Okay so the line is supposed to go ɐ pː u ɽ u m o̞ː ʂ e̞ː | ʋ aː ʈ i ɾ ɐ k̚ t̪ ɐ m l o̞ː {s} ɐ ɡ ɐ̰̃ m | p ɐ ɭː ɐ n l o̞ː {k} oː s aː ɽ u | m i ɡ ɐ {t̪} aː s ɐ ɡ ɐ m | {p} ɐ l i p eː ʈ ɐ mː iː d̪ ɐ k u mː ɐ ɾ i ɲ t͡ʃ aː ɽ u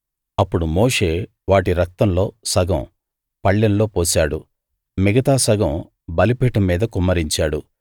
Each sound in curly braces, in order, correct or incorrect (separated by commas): correct, incorrect, correct, incorrect